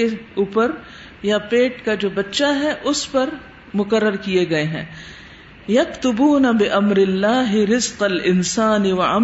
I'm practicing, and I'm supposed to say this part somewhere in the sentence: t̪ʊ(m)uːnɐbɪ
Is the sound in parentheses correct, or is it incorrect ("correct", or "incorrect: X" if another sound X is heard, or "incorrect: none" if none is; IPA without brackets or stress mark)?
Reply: incorrect: b